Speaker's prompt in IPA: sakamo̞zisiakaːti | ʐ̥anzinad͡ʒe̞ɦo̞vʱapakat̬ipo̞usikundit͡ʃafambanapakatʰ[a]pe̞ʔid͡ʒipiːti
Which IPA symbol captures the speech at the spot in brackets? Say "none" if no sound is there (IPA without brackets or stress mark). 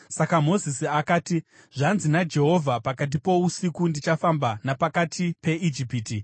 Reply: i